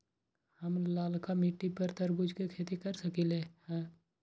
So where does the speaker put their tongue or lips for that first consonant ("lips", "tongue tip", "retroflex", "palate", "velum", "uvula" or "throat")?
throat